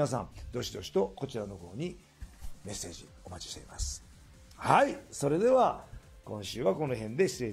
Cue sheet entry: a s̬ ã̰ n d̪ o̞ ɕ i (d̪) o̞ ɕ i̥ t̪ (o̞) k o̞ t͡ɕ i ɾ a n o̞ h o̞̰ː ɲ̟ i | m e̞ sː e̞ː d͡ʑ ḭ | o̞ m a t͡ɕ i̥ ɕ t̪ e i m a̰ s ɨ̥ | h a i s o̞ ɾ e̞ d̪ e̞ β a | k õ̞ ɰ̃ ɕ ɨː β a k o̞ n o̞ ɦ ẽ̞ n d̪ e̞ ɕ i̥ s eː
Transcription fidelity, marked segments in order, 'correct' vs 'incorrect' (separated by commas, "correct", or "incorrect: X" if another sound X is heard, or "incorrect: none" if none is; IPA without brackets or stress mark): correct, correct